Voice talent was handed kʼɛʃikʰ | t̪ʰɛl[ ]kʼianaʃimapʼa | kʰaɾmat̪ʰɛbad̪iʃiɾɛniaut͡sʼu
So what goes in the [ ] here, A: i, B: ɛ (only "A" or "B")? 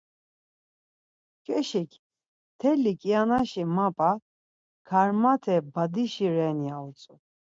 A